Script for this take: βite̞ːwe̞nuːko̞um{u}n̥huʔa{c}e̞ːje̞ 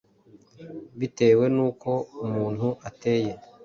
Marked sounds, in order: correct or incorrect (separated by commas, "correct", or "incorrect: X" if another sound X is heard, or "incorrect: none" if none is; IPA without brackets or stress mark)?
incorrect: uː, incorrect: t